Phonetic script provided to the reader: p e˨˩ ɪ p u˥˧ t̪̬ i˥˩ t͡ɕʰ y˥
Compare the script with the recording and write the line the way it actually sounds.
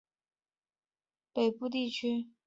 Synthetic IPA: p e˨˩ ɪ p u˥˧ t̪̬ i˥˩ t͡ɕʰ y˥